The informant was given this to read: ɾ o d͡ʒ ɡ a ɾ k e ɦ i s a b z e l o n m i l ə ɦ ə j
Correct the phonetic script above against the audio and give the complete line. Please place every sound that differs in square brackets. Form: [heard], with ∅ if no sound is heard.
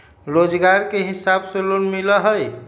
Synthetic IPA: ɾ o d͡ʒ ɡ a ɾ k e ɦ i s a b [s] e l o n m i l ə ɦ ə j